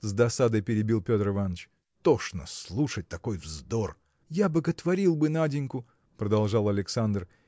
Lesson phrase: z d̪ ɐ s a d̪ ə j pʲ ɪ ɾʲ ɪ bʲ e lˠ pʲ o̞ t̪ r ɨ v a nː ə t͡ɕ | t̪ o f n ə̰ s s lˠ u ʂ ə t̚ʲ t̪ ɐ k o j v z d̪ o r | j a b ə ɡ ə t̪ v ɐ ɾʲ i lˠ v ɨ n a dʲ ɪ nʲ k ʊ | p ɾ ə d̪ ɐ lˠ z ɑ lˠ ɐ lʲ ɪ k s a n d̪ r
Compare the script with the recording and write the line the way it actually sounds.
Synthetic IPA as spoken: z d̪ ɐ s a d̪ ə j pʲ ɪ ɾʲ ɪ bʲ i lˠ pʲ o̞ t̪ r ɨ v a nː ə t͡ɕ | t̪ o ʂ n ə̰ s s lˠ u ʂ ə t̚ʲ t̪ ɐ k o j v z d̪ o r | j a b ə ɡ ə t̪ v ɐ ɾʲ i lˠ b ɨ n a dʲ ɪ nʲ k ʊ | p ɾ ə d̪ ɐ lˠ ʐ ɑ lˠ ɐ lʲ ɪ k s a n d̪ r